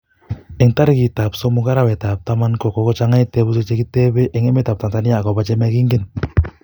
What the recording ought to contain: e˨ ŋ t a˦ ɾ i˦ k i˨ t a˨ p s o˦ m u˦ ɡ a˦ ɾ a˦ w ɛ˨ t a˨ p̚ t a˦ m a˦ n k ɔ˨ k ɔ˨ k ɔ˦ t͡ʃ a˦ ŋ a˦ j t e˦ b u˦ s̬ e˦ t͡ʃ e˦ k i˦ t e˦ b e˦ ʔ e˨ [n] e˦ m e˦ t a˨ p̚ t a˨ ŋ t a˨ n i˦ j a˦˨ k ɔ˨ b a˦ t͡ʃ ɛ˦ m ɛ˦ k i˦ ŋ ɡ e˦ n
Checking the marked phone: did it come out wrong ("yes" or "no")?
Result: yes